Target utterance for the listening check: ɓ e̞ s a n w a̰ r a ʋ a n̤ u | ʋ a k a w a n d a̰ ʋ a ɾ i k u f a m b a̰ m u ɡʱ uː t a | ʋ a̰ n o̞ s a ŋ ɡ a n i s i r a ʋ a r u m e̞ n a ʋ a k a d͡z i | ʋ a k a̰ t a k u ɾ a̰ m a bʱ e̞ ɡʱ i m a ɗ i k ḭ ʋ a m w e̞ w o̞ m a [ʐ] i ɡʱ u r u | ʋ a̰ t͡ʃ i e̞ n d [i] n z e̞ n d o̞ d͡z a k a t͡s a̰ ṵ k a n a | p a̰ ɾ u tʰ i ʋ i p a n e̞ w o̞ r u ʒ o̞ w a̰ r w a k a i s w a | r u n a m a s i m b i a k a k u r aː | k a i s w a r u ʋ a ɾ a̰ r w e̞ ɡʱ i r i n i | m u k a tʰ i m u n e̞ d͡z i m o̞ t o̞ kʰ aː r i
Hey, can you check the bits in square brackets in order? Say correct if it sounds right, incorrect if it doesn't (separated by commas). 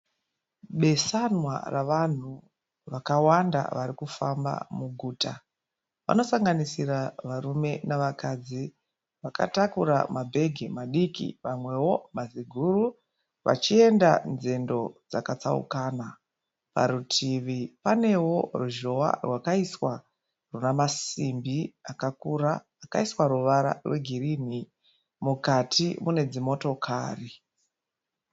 incorrect, incorrect